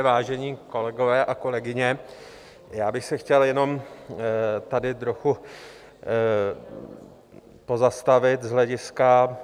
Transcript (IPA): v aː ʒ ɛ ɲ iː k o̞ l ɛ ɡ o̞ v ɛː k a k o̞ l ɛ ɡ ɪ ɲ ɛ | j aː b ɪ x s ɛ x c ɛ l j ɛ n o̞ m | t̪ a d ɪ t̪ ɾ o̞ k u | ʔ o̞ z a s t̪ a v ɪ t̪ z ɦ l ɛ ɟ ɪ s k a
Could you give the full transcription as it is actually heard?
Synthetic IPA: v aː ʒ ɛ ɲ iː k o̞ l ɛ ɡ o̞ v ɛː ʔ a k o̞ l ɛ ɡ ɪ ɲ ɛ | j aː b ɪ x s ɛ x c ɛ l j ɛ n o̞ m | t̪ a d ɪ t̪ ɾ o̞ x u | p o̞ z a s t̪ a v ɪ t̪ z ɦ l ɛ ɟ ɪ s k a